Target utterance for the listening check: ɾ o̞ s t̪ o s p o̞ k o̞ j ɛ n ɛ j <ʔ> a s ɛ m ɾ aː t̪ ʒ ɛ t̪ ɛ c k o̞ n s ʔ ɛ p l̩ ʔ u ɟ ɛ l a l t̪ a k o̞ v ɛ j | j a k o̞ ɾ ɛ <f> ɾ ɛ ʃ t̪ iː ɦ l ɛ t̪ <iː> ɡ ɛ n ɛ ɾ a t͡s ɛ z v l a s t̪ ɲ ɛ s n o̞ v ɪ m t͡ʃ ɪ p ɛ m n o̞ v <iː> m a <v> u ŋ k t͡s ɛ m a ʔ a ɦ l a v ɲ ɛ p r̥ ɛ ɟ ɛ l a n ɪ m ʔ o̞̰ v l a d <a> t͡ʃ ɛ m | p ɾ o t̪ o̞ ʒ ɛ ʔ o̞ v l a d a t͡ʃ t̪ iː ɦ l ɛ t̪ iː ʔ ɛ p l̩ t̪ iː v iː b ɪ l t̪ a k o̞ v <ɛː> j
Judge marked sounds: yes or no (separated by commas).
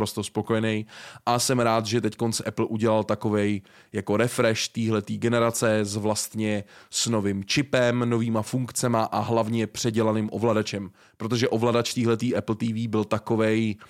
yes, yes, yes, yes, no, yes, no